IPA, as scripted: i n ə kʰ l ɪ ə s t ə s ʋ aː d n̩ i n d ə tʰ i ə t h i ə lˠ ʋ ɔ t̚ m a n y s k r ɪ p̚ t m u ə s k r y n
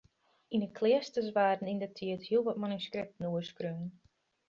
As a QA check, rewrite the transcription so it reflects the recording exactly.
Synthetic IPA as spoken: i n ə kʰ l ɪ ə s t ə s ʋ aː d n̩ i n d ə tʰ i ə t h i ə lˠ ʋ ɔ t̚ m a n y s k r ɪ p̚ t n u ə s k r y n